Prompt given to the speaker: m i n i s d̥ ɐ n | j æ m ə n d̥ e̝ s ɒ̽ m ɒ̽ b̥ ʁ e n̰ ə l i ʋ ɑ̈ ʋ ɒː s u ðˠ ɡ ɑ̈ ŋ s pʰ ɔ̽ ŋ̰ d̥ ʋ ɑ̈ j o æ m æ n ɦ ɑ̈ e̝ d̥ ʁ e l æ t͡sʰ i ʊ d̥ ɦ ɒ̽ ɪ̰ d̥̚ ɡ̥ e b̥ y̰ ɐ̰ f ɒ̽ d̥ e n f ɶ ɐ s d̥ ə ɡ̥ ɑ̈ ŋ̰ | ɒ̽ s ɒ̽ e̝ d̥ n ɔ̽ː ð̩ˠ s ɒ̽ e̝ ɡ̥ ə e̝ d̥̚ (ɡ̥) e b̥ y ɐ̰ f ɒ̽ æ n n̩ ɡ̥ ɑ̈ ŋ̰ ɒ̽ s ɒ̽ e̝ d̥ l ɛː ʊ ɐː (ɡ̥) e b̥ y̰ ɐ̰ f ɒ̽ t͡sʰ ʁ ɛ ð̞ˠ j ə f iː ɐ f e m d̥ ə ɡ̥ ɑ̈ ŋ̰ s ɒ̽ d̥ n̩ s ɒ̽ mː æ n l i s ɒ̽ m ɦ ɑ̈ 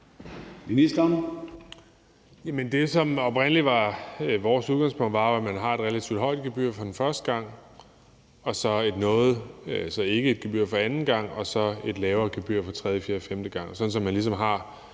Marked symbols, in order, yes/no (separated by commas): yes, yes